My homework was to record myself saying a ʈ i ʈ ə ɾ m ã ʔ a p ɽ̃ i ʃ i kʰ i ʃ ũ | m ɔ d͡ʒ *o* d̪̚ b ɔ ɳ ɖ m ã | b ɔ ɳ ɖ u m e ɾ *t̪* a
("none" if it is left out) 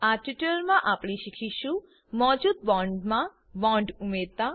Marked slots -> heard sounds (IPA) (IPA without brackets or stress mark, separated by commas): u, t̪